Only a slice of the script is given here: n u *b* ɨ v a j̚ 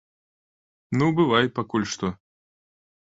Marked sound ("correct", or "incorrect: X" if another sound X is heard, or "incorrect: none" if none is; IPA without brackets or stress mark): correct